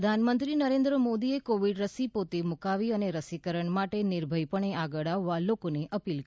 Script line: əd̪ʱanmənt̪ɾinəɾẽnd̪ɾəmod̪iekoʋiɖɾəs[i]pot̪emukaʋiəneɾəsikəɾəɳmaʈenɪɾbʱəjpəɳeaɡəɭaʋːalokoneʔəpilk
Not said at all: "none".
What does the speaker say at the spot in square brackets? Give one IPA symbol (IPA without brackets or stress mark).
i